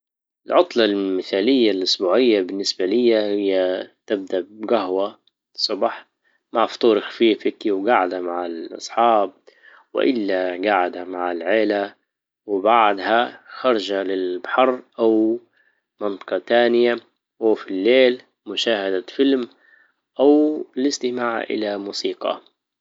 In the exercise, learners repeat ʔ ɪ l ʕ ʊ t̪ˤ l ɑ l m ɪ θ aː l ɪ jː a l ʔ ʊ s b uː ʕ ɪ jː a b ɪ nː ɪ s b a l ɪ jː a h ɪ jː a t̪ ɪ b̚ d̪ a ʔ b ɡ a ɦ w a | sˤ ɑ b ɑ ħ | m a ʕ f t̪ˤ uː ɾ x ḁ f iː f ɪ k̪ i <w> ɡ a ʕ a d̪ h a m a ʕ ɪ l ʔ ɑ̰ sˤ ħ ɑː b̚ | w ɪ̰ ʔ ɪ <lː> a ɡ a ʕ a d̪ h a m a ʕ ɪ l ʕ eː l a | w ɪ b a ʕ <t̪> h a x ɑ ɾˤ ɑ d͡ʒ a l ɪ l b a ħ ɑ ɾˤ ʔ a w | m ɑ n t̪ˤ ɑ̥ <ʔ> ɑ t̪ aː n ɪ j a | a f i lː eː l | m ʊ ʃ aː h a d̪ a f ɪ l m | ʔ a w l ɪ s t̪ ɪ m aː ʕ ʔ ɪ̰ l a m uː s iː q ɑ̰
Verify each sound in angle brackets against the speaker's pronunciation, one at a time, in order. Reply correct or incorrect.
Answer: correct, correct, incorrect: d̪, incorrect: q

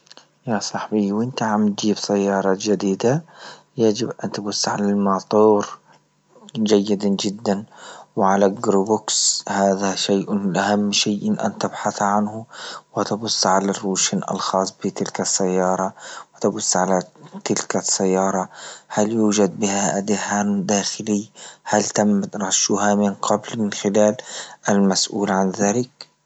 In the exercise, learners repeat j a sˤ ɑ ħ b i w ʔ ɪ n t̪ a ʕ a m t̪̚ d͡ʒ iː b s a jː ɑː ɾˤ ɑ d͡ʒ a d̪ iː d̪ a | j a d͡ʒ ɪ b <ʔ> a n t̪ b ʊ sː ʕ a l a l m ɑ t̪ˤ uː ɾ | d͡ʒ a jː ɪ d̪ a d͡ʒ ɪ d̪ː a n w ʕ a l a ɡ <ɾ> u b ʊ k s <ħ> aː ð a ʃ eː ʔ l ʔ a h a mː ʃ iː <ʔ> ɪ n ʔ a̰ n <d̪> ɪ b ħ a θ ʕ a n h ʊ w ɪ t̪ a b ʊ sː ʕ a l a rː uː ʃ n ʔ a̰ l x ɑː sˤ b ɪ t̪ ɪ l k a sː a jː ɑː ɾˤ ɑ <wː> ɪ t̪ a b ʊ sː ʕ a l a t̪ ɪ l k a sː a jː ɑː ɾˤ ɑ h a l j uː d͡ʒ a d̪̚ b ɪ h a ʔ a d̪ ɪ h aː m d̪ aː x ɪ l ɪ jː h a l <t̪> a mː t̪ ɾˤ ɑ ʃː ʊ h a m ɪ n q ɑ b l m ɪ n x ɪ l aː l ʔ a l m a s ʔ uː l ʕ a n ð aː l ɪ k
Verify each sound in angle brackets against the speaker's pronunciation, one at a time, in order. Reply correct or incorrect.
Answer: correct, correct, incorrect: h, correct, incorrect: t̪, incorrect: w, correct

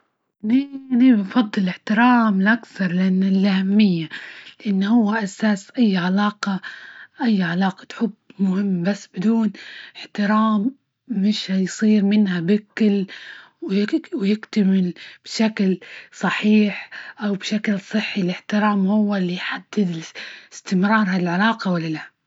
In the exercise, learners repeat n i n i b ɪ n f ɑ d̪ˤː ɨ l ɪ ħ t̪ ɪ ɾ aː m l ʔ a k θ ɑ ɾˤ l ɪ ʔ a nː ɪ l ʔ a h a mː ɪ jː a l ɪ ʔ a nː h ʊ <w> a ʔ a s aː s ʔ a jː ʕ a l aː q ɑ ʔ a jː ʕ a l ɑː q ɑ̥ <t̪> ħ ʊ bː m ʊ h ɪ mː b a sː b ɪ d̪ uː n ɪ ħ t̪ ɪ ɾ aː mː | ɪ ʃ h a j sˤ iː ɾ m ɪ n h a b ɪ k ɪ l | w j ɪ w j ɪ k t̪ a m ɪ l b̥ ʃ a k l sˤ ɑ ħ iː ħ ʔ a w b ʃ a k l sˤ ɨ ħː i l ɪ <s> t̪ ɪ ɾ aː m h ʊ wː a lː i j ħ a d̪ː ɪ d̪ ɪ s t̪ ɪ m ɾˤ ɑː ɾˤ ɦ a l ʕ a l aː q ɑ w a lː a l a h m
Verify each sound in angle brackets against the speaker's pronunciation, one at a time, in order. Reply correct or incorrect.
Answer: incorrect: wː, correct, incorrect: ħ

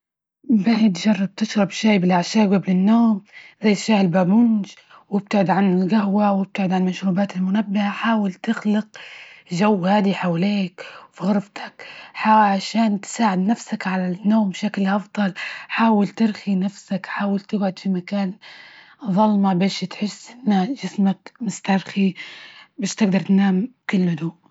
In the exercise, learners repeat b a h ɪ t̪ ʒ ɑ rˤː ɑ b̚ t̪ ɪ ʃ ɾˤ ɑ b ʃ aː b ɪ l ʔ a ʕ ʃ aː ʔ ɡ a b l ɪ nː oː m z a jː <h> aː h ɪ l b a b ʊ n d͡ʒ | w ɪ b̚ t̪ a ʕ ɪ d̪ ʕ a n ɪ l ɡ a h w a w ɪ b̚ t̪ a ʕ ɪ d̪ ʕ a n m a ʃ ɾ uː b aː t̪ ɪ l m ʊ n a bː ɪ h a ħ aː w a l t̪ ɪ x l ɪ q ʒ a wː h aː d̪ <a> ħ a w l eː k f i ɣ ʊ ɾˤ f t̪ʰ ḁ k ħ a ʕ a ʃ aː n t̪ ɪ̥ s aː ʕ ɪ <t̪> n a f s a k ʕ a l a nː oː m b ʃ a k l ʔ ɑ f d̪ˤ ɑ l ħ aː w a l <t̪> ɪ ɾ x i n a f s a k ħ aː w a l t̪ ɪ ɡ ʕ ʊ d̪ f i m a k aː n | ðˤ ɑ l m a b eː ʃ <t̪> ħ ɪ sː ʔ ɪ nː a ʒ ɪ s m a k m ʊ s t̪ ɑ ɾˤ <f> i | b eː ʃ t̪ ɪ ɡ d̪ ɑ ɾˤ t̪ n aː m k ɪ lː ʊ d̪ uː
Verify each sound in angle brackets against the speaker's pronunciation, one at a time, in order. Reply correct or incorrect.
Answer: incorrect: ʃ, incorrect: i, incorrect: d̪, correct, correct, incorrect: x

